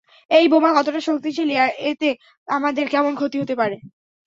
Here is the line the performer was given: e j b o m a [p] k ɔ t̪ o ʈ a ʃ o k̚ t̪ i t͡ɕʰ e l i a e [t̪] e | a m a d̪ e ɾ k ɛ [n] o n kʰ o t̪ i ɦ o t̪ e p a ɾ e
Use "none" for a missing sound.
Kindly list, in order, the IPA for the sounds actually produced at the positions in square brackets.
none, t̪, m

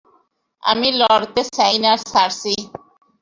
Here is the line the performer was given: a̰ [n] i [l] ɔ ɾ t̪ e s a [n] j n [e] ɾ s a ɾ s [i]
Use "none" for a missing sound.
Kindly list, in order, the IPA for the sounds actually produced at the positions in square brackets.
m, l, none, a, i

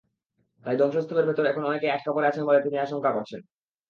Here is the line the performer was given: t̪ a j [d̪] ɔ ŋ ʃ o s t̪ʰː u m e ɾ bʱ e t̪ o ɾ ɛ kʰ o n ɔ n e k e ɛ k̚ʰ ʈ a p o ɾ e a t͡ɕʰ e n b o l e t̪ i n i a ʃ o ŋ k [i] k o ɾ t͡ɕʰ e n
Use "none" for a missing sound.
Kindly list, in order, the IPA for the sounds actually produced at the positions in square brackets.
d̪, a

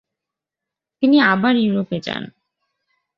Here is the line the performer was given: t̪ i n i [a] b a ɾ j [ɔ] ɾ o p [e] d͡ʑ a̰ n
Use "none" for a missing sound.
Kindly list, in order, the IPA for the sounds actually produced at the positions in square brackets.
a, u, e

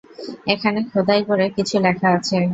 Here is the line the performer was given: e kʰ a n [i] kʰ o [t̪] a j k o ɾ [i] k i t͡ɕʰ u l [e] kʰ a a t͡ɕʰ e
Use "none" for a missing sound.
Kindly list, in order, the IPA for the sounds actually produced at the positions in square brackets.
e, d̪, e, ɛ

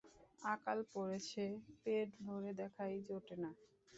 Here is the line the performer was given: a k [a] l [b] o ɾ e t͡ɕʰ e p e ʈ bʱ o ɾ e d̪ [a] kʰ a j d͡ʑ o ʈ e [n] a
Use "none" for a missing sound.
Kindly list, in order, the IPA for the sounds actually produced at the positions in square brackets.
a, p, ɛ, n

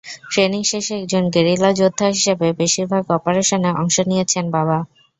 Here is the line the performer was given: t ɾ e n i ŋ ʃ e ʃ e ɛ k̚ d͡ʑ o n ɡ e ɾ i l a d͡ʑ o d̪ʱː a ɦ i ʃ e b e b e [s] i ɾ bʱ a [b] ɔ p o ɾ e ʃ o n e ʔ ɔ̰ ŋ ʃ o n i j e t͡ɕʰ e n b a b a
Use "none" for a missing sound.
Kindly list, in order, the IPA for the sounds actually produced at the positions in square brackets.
ʃ, ɡ

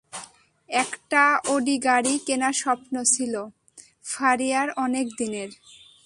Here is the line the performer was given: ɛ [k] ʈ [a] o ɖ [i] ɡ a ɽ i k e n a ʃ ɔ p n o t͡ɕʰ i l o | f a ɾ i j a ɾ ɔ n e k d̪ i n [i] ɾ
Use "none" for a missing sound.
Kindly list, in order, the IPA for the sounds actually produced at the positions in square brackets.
k, a, i, e

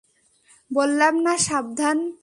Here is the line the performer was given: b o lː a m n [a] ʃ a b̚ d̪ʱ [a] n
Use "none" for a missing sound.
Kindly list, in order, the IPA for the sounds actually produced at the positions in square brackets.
a, a

